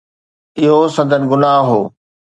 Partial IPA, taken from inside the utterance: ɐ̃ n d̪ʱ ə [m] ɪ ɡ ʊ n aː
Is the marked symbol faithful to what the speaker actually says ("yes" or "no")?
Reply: no